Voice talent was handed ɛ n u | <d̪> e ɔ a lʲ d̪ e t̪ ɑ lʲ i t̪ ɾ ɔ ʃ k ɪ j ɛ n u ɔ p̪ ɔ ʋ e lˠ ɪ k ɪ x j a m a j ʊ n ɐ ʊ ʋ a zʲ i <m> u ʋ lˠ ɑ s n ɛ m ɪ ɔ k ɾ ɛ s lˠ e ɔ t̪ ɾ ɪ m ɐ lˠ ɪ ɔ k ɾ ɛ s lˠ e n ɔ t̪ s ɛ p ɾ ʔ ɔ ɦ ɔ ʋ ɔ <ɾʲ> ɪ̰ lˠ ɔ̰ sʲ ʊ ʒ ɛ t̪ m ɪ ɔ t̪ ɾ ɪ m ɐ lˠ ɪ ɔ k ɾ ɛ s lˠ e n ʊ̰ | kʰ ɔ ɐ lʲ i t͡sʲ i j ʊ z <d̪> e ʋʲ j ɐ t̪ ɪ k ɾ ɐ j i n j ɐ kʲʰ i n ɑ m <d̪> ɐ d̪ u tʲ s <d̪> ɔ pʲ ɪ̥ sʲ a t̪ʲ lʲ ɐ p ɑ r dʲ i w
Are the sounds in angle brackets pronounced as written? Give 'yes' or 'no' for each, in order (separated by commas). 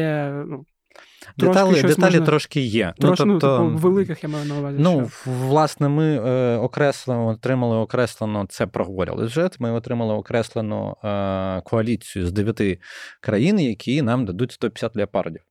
yes, no, yes, yes, yes, no